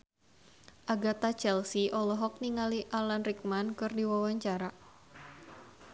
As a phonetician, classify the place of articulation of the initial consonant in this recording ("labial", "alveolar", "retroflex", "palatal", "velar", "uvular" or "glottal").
glottal